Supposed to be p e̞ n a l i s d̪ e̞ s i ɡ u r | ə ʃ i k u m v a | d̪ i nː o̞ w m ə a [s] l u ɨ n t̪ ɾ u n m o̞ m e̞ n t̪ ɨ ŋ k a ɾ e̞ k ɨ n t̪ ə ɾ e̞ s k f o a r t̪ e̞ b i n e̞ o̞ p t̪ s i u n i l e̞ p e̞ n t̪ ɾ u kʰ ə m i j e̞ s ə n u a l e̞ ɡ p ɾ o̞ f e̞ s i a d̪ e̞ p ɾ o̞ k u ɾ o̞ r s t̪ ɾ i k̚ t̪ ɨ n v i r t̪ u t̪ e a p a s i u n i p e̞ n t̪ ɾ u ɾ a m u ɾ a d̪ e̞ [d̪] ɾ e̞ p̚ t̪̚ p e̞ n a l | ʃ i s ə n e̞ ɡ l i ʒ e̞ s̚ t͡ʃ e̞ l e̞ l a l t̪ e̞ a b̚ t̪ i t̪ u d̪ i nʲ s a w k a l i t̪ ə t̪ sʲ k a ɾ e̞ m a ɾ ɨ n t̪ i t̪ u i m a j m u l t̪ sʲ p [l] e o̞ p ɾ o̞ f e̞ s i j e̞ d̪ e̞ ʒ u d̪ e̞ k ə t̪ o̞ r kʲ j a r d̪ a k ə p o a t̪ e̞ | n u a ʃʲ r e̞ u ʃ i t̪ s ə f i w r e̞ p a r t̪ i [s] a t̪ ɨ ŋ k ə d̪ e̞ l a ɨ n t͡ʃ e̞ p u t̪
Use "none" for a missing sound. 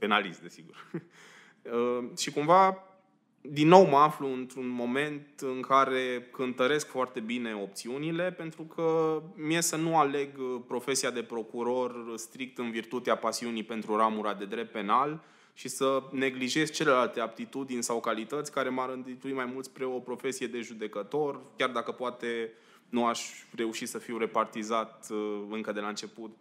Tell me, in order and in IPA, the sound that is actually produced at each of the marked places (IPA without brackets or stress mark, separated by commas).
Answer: f, d̪, ɾ, z